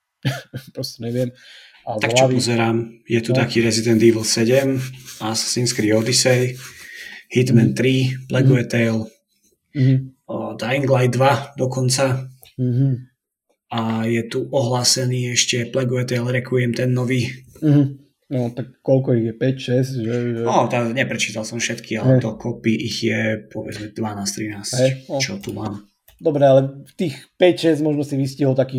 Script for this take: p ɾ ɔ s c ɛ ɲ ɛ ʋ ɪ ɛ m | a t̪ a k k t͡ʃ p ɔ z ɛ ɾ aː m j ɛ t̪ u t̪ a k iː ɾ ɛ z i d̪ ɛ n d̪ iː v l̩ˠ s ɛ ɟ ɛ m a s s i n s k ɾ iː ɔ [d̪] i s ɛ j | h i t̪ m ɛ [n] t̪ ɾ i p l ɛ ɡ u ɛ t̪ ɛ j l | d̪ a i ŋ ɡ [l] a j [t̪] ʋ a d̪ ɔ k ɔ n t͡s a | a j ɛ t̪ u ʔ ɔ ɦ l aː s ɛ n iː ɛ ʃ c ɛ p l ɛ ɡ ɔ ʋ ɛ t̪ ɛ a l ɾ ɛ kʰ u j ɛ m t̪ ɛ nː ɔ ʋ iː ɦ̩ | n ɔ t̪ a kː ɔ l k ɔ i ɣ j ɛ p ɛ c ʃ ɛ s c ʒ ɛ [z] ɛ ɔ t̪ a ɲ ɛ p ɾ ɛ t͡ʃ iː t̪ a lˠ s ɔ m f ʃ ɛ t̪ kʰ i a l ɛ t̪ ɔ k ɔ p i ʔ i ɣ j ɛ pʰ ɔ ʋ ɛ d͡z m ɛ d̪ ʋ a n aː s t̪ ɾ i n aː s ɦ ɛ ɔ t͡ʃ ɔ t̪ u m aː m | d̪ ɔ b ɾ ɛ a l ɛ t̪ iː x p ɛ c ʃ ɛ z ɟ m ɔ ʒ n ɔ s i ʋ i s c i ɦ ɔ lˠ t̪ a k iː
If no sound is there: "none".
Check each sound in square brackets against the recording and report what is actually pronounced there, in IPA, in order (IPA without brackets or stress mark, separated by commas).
d̪, n, l, d̪, ʒ